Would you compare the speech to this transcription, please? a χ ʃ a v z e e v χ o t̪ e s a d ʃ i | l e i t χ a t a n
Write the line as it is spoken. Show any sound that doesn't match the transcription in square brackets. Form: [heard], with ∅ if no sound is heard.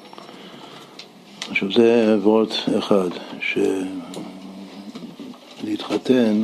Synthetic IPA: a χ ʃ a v z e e v [ʁ] o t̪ e [χ] a d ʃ [e] | l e i t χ a t [e] n